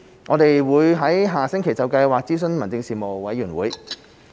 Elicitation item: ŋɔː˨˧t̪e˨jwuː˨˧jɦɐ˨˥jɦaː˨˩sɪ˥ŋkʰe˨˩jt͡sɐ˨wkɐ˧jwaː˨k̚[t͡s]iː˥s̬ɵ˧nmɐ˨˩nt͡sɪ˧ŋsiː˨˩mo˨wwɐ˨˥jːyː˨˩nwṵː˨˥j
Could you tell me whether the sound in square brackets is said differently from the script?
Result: no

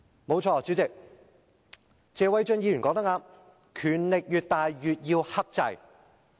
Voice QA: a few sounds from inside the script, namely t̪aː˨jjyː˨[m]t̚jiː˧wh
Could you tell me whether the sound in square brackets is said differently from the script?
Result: yes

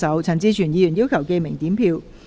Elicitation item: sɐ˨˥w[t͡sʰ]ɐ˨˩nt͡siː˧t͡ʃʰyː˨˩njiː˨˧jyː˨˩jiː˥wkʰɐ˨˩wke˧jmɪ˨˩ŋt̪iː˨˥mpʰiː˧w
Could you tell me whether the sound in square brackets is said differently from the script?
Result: no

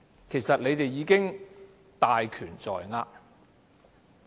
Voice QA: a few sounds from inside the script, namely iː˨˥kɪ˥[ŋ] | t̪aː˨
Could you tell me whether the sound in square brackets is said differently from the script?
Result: no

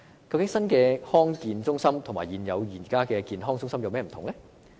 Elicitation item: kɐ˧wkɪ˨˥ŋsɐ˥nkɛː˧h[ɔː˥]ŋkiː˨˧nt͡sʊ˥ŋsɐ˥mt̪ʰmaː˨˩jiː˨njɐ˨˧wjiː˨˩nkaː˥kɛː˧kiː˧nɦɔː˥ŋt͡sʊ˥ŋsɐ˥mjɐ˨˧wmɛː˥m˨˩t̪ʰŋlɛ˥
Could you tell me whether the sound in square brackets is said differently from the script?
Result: no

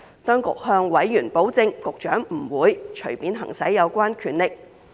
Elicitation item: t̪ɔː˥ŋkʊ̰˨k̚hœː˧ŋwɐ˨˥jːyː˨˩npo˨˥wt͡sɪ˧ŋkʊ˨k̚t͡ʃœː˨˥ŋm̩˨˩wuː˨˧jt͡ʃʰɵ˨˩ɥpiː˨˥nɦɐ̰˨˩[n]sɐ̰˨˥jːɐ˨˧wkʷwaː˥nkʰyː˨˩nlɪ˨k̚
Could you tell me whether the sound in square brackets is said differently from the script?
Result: yes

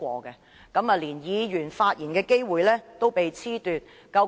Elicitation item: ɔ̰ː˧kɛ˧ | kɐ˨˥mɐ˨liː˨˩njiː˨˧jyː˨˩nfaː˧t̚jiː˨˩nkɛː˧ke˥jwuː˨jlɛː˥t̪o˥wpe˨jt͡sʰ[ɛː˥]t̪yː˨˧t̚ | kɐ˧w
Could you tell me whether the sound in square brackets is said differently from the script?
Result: yes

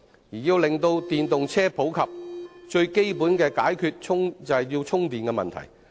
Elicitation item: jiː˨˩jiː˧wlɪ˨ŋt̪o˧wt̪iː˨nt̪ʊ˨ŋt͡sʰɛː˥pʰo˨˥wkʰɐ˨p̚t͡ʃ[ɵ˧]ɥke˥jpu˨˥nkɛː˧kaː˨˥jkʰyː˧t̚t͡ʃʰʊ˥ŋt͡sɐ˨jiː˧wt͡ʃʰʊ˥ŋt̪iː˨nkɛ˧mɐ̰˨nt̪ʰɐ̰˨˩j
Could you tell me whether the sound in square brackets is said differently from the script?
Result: no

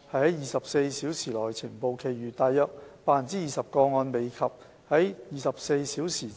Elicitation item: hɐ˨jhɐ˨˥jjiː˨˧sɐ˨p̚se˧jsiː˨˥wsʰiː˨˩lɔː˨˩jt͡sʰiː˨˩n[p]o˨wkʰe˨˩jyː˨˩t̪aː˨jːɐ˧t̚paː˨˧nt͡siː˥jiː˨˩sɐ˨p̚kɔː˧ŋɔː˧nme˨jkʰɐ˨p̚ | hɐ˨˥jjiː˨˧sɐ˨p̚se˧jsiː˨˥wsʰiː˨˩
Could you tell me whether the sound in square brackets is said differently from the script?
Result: no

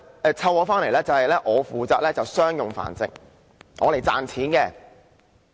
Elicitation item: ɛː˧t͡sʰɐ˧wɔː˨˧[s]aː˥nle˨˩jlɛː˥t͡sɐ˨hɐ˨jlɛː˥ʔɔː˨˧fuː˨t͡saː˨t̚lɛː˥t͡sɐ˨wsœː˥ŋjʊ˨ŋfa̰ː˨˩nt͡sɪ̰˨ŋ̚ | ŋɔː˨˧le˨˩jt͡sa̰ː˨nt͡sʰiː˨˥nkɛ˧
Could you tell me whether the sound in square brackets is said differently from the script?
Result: yes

